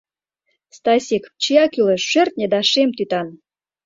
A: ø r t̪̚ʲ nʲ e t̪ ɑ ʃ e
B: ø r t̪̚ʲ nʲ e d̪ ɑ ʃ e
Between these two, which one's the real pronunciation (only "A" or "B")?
B